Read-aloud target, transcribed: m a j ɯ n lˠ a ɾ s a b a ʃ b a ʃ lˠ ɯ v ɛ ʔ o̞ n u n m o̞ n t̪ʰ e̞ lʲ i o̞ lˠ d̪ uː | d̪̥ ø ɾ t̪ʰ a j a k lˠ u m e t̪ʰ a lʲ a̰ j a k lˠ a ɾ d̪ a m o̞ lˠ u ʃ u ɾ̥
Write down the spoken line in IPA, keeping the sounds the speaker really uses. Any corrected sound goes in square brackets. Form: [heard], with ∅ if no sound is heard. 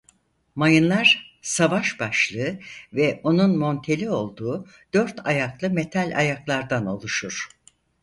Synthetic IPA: m a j ɯ n lˠ a ɾ s a [v] a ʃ b a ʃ lˠ ɯ v ɛ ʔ o̞ n u n m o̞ n t̪ʰ e̞ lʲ i o̞ lˠ d̪ uː | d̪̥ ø ɾ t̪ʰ a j a k lˠ [ɯ] m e t̪ʰ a lʲ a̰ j a k lˠ a ɾ d̪ a [n] o̞ lˠ u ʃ u ɾ̥